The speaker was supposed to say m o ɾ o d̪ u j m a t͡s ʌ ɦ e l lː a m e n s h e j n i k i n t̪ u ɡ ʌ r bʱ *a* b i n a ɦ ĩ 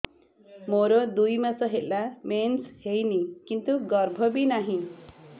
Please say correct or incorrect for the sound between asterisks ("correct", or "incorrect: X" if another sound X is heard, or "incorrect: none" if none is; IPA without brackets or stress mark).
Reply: incorrect: ʌ